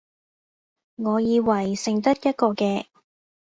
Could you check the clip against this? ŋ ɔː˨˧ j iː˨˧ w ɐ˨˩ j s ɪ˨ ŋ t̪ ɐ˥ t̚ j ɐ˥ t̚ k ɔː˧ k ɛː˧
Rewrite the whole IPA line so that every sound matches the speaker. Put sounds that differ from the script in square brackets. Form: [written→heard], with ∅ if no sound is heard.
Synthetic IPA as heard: ŋ ɔː˨˧ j iː˨˧ w ɐ˨˩ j s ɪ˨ ŋ t̪ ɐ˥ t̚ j ɐ˥ t̚ k ɔː˧ k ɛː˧